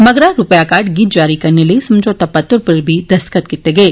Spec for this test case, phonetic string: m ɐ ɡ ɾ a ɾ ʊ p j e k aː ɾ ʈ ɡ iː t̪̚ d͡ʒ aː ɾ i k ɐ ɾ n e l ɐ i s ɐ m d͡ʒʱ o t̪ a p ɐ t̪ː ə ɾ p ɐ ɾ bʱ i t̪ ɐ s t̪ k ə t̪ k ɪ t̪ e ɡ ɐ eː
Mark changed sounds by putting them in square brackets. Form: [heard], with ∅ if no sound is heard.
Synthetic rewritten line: m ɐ ɡ ɾ a ɾ ʊ p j [a] k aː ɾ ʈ ɡ iː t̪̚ d͡ʒ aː ɾ i k ɐ ɾ n e l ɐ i s ɐ m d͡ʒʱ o t̪ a p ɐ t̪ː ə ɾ p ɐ ɾ bʱ i [d̪] ɐ s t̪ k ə t̪ k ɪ t̪ e ɡ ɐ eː